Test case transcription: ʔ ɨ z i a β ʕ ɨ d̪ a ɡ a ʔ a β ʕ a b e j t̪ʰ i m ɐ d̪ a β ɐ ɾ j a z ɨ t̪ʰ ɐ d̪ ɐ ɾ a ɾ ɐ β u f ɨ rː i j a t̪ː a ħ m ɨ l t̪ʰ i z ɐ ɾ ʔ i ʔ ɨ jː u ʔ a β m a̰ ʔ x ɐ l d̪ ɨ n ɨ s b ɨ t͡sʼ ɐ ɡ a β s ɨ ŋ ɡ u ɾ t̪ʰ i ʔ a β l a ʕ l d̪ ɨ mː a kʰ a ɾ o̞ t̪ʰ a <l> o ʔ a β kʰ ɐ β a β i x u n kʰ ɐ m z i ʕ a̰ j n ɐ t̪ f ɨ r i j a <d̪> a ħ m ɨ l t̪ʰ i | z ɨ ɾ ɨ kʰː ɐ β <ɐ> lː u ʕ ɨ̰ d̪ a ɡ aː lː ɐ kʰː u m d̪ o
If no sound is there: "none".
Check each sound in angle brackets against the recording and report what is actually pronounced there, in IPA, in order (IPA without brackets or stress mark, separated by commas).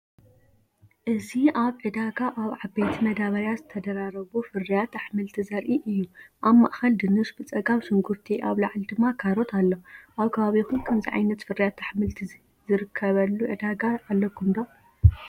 lː, t̪, ɐ